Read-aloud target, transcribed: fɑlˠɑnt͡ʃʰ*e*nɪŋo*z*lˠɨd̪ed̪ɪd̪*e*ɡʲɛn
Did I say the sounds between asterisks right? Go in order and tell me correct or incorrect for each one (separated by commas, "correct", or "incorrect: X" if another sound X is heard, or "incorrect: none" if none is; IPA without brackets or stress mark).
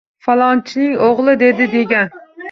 incorrect: i, incorrect: ʁ, correct